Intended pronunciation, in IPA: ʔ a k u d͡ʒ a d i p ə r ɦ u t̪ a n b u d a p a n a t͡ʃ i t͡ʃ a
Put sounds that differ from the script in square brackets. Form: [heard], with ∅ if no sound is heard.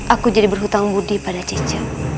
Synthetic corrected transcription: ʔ a k u d͡ʒ a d i [b] ə r ɦ u t̪ a [ŋ] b u d [i] p a [d] a t͡ʃ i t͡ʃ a